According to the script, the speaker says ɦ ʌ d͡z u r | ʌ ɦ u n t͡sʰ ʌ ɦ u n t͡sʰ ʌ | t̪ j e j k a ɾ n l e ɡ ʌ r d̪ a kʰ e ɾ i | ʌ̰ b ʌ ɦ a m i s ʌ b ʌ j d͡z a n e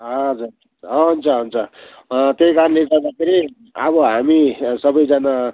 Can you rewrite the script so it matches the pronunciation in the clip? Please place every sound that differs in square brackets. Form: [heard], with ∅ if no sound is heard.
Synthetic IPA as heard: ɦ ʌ d͡z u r | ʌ ɦ u n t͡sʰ ʌ ɦ u n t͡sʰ ʌ | t̪ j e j k a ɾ n l e ɡ ʌ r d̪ a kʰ e ɾ i | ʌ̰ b ʌ ɦ a m i s ʌ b ʌ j d͡z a n [a]